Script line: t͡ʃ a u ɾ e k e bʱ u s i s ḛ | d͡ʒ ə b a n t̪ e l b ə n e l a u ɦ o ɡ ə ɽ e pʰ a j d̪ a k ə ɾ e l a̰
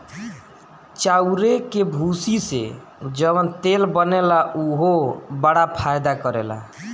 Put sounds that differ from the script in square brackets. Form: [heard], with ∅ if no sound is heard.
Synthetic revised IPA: t͡ʃ a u ɾ e k e bʱ u s i s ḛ | d͡ʒ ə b [ə] n t̪ e l b ə n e l a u ɦ o [b] ə ɽ [a] pʰ a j d̪ a k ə ɾ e l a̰